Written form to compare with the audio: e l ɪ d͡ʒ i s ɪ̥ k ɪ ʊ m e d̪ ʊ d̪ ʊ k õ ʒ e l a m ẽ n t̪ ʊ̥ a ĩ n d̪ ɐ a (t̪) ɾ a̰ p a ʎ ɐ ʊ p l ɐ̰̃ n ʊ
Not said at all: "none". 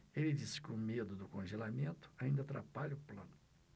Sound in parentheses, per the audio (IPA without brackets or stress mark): t̪